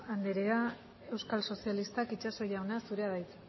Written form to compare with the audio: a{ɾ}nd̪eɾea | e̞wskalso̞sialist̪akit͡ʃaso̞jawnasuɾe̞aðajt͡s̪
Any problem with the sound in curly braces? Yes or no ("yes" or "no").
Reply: yes